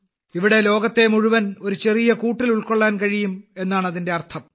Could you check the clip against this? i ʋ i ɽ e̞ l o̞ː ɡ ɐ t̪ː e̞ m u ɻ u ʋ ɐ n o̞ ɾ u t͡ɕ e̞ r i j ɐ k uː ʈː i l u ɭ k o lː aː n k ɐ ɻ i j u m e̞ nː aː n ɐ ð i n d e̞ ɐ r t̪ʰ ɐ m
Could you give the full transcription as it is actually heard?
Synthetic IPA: i ʋ i ɽ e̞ l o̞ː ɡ ɐ t̪ː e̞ m u ɻ u ʋ ɐ n o̞ ɾ u t͡ɕ e̞ r i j ɐ k uː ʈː i l u ɭ k o ɭː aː n k ɐ ɻ i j u m e̞ nː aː ɳ ɐ ð i n d e̞ ɐ r t̪ʰ ɐ m